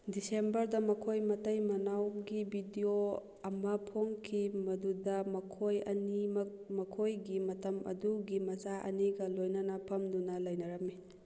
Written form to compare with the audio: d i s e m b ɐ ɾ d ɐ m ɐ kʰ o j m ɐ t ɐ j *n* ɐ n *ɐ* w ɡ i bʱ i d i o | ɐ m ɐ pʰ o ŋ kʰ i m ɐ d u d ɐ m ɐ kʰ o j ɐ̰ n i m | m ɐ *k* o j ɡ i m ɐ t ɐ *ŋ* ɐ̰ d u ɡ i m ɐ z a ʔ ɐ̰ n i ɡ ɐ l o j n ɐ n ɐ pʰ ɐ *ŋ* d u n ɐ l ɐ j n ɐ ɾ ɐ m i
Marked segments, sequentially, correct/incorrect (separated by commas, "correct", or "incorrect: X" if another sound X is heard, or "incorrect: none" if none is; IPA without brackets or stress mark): incorrect: m, incorrect: a, incorrect: kʰ, incorrect: m, incorrect: m